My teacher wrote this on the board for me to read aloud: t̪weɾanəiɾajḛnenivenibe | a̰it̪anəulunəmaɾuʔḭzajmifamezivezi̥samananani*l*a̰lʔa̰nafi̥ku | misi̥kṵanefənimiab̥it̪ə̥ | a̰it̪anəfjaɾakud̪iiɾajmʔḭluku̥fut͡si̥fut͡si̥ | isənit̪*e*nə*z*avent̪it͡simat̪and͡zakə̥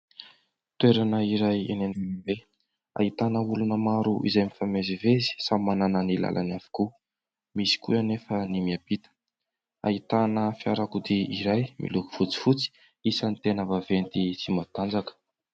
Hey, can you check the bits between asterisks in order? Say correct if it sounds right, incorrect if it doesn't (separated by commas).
correct, correct, incorrect